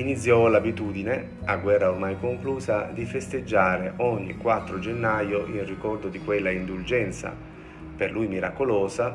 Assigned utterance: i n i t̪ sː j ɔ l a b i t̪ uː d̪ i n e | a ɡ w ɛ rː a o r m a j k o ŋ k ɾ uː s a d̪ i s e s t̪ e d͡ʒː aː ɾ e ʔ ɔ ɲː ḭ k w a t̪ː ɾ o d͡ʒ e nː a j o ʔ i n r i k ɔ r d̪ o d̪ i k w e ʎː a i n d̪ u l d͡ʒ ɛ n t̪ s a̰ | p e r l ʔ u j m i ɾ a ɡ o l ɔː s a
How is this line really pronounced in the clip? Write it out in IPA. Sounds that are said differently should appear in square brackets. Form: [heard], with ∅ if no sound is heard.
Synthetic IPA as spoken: i n i t̪ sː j ɔ l a b i t̪ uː d̪ i n e | a ɡ w ɛ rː a o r m a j k o ŋ k [l] uː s a d̪ i [f] e s t̪ e d͡ʒː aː ɾ e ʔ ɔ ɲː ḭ k w a t̪ː ɾ o d͡ʒ e nː a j o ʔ i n r i k ɔ r d̪ o d̪ i k w e [lː] a i n d̪ u l d͡ʒ ɛ n t̪ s a̰ | p e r l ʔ u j m i ɾ a [k] o l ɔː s a